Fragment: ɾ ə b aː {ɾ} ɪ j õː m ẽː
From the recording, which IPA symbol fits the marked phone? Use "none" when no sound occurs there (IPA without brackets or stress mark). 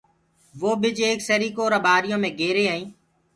ɾ